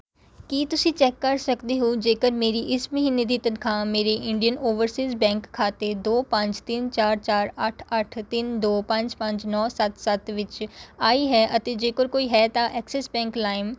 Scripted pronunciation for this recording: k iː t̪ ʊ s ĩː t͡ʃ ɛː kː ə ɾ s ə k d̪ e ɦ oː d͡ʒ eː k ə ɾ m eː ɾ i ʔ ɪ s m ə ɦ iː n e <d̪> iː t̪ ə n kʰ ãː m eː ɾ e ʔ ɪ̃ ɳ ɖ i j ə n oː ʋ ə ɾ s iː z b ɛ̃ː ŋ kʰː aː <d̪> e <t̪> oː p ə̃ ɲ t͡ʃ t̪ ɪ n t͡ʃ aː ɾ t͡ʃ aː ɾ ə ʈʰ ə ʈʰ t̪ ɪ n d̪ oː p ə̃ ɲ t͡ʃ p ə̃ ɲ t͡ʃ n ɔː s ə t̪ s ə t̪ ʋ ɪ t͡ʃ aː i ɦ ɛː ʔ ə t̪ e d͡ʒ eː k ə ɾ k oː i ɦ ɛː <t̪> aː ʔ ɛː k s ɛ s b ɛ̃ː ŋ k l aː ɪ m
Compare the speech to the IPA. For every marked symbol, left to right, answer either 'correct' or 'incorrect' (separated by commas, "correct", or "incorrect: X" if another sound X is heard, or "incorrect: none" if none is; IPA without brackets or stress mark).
correct, incorrect: t̪, incorrect: d̪, correct